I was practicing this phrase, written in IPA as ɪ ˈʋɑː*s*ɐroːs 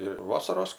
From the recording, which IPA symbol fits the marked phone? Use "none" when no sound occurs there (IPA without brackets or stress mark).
s